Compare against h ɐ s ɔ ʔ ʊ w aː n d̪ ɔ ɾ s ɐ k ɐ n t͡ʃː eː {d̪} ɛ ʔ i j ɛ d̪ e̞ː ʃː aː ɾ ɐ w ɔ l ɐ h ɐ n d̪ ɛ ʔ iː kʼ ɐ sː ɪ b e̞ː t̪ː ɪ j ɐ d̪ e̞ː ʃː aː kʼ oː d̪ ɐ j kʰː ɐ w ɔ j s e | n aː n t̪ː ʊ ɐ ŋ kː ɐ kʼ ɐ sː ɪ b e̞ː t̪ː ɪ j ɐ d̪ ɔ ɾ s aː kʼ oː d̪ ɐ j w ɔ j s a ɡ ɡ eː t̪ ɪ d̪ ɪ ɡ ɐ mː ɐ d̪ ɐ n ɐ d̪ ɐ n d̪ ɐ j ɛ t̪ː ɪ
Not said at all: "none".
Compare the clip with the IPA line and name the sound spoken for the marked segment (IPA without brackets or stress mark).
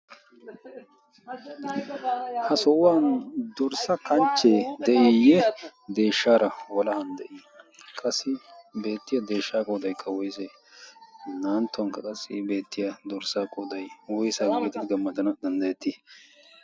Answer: d̪